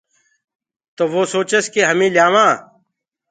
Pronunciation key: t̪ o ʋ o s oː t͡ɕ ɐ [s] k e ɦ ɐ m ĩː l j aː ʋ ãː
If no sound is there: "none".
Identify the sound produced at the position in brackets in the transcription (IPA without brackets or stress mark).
s